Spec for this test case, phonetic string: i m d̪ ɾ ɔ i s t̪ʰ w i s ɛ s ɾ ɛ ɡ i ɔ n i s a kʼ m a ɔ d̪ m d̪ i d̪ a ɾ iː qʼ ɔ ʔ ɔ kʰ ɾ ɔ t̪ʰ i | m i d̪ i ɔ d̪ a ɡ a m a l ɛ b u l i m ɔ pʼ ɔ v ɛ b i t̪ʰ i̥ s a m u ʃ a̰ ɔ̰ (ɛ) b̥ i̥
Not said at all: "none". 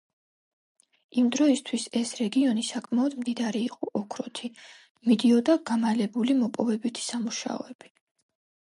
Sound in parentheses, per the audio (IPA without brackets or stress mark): ɛ